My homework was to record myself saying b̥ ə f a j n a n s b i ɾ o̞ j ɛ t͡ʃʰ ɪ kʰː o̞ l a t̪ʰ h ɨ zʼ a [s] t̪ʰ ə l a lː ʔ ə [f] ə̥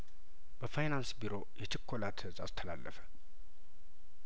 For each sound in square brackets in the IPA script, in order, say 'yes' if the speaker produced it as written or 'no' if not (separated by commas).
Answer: yes, yes